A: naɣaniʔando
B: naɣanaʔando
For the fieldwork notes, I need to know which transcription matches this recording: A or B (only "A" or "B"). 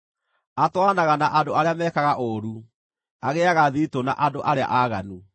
B